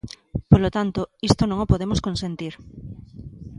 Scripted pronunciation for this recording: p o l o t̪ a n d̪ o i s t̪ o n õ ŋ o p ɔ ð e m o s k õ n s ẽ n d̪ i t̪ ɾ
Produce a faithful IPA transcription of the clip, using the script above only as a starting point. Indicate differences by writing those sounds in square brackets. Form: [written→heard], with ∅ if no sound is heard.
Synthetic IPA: p o l o t̪ a n [d̪→t̪] o i s t̪ o n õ ŋ o p [ɔ→o] ð e m o s k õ n s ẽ n [d̪→t̪] i [t̪→∅] ɾ